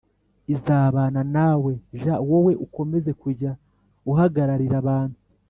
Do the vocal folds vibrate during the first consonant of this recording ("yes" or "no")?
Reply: yes